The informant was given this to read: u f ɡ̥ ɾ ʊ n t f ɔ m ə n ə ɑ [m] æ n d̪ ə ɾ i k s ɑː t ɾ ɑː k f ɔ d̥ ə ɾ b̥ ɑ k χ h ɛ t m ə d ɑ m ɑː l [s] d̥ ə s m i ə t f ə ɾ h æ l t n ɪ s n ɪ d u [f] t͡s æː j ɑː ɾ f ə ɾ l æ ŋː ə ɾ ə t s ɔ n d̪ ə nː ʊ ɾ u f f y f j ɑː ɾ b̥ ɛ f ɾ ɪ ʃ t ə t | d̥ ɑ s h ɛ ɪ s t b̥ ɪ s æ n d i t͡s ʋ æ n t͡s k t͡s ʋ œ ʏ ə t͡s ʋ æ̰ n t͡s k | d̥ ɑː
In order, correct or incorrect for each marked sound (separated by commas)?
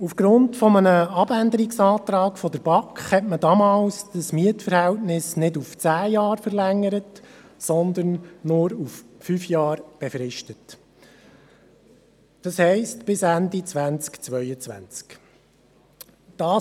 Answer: incorrect, correct, correct